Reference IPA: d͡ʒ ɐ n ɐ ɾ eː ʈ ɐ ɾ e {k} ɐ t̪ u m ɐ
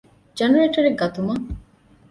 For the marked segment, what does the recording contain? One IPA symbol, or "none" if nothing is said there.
ɡ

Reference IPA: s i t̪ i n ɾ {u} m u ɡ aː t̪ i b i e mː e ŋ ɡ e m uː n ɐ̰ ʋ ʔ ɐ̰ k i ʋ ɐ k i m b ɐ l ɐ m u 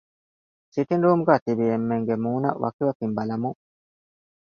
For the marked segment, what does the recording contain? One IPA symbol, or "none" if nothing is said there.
uː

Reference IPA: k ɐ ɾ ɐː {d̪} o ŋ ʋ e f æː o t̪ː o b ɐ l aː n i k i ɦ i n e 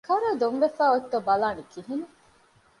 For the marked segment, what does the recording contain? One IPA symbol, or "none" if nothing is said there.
d̪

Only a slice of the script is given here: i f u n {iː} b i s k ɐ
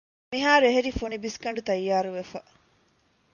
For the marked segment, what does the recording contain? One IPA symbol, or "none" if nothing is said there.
i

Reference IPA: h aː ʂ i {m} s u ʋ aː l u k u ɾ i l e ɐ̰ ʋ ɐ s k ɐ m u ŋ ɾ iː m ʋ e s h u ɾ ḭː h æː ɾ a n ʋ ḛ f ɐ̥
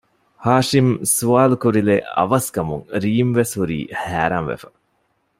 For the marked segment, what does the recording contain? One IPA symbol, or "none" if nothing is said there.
m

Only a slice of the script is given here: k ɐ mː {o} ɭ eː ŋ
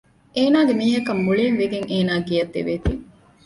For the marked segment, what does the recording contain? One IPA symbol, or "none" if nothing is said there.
u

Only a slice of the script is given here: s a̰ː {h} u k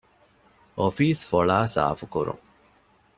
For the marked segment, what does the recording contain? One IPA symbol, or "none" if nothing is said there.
f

